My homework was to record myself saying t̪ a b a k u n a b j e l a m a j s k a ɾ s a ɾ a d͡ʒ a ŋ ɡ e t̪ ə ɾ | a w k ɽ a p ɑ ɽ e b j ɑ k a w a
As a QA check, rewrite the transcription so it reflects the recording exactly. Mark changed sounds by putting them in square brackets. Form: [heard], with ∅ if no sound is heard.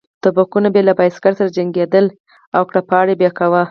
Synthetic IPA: t̪ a b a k u n a b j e l a [b] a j s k a ɾ s a ɾ a d͡ʒ a ŋ ɡ e [d̪] ə [l] | a w k ɽ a p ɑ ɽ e b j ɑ k a w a